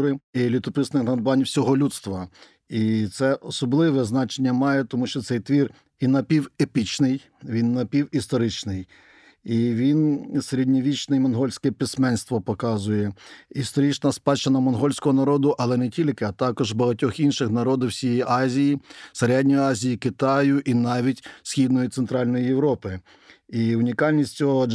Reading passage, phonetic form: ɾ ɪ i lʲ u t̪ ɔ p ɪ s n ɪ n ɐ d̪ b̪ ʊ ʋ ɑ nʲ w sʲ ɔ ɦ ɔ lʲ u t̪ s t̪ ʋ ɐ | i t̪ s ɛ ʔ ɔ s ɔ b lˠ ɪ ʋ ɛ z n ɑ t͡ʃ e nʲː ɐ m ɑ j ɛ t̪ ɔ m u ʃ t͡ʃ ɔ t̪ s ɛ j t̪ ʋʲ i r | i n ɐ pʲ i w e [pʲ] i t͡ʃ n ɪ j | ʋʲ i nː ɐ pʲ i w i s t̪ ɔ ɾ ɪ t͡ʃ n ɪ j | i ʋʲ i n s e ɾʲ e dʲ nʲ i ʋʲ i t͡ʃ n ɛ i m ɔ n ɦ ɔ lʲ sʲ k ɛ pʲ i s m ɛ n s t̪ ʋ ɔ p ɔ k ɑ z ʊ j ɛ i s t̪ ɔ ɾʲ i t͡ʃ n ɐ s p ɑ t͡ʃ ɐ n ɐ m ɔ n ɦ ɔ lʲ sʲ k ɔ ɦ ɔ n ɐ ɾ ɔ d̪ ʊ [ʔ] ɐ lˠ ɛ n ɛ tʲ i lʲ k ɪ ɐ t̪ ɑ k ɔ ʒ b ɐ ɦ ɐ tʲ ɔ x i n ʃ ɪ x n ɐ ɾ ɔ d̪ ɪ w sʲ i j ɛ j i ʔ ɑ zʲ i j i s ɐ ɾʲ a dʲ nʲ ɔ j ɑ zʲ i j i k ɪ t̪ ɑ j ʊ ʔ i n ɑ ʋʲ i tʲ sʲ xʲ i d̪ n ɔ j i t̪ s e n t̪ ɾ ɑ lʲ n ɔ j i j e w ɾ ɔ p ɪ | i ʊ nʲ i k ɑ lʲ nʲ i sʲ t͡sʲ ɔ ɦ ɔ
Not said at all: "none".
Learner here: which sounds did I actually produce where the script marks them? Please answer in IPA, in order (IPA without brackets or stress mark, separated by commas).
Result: pʲ, ʔ